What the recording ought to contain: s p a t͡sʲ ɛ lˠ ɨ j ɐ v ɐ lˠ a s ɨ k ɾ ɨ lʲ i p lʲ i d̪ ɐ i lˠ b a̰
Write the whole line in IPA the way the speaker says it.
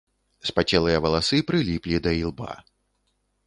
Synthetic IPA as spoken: s p a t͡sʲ ɛ lˠ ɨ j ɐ v ɐ lˠ a s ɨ p ɾ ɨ lʲ i p lʲ i d̪ ɐ i lˠ b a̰